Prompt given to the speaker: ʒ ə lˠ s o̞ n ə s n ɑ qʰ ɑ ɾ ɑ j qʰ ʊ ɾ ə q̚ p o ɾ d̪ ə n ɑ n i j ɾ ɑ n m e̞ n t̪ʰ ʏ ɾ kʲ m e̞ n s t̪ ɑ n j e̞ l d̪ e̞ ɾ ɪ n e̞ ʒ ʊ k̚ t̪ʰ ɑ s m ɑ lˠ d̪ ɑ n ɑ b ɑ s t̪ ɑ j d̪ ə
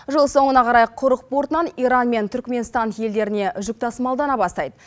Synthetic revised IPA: ʒ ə lˠ s o̞ ɴ ə n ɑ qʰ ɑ ɾ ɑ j qʰ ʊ ɾ ə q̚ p o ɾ t̪ ə n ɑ n i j ɾ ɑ n m e̞ n t̪ʰ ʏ ɾ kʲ m e̞ n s t̪ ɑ n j e̞ l d̪ e̞ ɾ ɪ n e̞ ʒ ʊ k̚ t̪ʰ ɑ s m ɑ lˠ d̪ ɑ n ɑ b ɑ s t̪ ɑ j d̪ ə